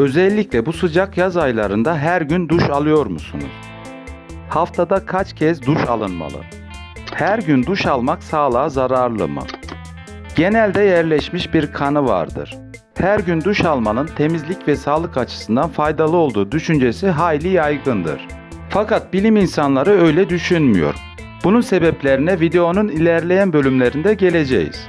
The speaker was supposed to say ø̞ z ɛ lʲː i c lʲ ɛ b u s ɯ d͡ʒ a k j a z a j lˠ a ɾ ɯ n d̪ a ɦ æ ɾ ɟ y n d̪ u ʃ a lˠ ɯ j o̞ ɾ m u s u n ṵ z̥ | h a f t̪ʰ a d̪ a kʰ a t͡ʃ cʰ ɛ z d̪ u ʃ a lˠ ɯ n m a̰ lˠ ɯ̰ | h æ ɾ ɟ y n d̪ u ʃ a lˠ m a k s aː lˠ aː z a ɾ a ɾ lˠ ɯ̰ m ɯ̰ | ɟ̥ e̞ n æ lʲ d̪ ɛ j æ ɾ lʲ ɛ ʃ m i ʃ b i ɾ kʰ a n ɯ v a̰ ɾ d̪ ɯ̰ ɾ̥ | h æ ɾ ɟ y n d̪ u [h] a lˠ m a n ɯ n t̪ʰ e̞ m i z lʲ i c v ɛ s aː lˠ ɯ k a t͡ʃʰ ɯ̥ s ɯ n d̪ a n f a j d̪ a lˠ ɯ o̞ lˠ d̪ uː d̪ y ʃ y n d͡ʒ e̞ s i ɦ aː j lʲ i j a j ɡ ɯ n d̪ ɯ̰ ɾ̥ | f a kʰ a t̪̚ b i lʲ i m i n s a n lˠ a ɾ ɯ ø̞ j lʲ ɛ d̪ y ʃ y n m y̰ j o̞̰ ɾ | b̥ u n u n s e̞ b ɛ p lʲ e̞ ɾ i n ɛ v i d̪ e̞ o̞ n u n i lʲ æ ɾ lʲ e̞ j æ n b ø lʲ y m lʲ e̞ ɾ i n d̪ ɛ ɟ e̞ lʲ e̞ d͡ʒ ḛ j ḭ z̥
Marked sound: incorrect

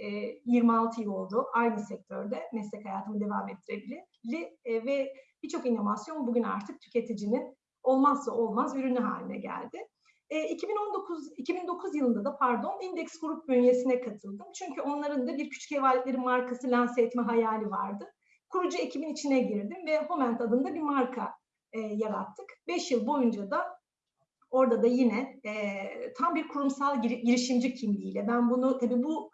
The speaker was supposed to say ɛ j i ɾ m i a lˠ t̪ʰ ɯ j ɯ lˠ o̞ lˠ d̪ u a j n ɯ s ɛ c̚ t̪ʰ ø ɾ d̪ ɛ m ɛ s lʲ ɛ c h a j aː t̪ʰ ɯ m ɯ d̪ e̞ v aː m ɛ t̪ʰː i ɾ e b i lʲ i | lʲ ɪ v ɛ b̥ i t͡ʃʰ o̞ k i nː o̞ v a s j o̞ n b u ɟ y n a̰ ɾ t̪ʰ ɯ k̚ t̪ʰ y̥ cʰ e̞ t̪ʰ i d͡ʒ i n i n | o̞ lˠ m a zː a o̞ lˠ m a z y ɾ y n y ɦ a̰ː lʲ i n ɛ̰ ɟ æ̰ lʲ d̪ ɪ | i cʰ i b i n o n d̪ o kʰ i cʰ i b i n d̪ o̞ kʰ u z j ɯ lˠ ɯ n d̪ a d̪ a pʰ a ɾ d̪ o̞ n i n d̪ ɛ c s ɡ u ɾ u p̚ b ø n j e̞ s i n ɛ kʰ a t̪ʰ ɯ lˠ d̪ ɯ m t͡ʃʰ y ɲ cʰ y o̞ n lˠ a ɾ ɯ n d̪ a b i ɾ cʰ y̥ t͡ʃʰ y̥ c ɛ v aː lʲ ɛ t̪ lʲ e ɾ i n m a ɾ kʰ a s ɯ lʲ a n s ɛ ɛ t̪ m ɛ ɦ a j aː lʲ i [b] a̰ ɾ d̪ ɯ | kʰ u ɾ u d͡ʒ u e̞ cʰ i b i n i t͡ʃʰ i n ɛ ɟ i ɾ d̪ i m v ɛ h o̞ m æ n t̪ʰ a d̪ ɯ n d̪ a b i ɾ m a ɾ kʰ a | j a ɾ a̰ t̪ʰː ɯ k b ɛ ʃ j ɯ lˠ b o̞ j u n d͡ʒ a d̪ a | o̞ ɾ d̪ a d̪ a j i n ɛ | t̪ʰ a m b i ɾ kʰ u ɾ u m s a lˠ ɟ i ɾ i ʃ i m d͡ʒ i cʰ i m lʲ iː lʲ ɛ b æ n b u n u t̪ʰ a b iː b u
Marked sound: incorrect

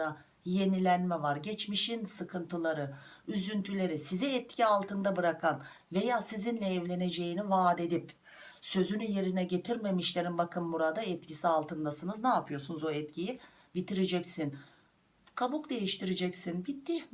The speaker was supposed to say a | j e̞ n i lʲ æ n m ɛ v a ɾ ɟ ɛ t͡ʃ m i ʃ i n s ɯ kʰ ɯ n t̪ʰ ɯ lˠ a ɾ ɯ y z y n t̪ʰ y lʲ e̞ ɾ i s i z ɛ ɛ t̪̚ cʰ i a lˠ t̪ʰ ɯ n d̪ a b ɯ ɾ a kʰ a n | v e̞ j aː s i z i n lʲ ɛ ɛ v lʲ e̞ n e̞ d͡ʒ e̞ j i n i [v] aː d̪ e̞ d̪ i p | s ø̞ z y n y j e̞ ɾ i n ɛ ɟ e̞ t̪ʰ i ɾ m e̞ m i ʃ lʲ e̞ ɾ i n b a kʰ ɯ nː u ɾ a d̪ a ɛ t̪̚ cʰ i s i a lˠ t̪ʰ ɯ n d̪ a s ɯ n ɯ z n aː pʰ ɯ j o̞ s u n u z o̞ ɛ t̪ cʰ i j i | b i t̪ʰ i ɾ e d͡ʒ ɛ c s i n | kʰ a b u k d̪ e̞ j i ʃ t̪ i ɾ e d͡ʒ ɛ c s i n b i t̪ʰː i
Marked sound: correct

